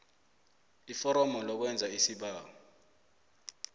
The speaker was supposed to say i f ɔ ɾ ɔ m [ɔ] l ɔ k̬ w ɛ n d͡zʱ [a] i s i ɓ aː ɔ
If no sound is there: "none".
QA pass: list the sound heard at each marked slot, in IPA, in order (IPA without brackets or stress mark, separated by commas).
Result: ɔ, a